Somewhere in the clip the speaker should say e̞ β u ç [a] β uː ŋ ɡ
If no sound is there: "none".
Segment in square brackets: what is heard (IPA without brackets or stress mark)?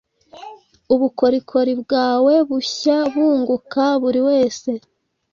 a